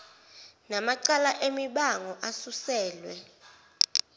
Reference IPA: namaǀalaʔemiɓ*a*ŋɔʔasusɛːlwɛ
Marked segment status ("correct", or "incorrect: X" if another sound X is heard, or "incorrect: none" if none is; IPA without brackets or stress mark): correct